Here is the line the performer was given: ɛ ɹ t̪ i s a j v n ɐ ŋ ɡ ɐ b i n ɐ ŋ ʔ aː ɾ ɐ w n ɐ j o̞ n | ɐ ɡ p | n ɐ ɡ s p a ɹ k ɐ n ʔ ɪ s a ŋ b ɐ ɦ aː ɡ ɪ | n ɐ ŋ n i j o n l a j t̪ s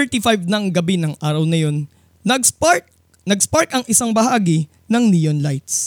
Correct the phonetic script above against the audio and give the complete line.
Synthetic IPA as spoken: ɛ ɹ t̪ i f a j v n ɐ ŋ ɡ ɐ b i n ɐ ŋ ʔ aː ɾ ɐ w n ɐ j o̞ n | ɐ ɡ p | n ɐ ɡ s p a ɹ k ɐ ŋ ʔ ɪ s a ŋ b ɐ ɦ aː ɡ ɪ | n ɐ ŋ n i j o n l a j t̪ s